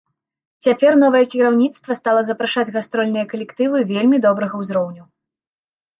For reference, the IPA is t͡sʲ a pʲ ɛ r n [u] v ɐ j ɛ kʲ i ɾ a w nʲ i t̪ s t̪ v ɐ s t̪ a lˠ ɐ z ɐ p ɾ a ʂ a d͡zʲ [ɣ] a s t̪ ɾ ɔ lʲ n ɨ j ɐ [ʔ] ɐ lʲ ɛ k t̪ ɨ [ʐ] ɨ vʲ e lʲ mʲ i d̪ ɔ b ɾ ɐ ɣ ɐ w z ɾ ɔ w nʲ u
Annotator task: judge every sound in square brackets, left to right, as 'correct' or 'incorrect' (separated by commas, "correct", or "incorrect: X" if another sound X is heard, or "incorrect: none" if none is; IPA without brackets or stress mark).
incorrect: ɔ, correct, incorrect: k, incorrect: v